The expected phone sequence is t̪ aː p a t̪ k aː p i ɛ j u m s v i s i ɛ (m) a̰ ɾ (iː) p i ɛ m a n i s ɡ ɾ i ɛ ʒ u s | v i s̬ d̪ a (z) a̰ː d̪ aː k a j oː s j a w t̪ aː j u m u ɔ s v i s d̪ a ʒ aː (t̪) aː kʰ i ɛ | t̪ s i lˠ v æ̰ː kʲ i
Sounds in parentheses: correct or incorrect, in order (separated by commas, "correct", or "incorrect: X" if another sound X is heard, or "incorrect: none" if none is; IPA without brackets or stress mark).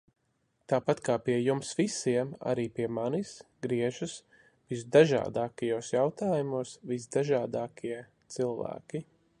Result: correct, correct, incorrect: ʒ, incorrect: d̪